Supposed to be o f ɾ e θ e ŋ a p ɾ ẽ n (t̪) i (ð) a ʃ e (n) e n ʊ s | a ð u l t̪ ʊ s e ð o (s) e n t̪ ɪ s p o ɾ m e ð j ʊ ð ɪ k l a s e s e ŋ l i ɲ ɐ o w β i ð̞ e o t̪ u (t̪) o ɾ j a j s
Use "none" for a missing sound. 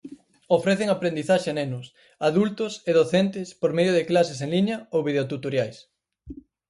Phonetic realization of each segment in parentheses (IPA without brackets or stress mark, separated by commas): d̪, θ, n, θ, t̪